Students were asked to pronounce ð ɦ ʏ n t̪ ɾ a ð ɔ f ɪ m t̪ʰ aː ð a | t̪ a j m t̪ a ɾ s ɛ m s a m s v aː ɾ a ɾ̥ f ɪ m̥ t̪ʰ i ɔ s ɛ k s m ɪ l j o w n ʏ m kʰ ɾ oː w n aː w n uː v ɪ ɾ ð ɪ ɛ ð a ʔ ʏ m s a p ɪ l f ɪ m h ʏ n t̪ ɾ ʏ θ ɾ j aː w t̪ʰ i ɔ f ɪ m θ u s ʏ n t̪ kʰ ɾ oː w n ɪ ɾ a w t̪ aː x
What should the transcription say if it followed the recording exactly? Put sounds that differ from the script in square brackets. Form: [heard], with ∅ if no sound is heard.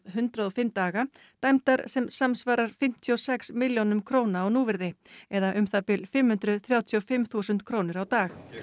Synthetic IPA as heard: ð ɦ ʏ n t̪ ɾ a ð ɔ f ɪ m [t̪] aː [ɣ] a | t̪ a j m t̪ a ɾ s ɛ m s a m s v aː ɾ a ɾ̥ f ɪ m̥ t̪ʰ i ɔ s ɛ k s m ɪ l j o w n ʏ m kʰ ɾ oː w n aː w n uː v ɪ ɾ ð ɪ ɛ ð a ʔ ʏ m [θ] a p ɪ l f ɪ m h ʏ n t̪ ɾ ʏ θ ɾ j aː w t̪ʰ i ɔ f ɪ m θ u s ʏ n t̪ kʰ ɾ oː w n ɪ ɾ a w t̪ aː x

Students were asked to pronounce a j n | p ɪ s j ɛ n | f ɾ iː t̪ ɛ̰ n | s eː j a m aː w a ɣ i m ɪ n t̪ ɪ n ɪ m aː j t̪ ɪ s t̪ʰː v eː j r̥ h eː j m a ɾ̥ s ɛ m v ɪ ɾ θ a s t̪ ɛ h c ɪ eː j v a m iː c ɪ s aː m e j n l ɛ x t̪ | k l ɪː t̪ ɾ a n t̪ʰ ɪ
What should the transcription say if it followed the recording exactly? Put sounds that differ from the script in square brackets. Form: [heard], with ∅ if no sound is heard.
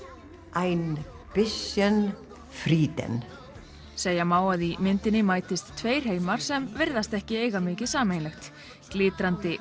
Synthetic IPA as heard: a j n | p ɪ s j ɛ n | f ɾ iː t̪ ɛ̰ n | s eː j a m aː w a [ð] i m ɪ n t̪ ɪ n ɪ m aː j t̪ ɪ s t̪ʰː v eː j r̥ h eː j m a ɾ̥ s ɛ m v ɪ ɾ [ð] a s t̪ ɛ h c ɪ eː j [ɣ] a m [ɪː] c ɪ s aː m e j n l ɛ x t̪ | k l ɪː t̪ ɾ a n [t̪] ɪ

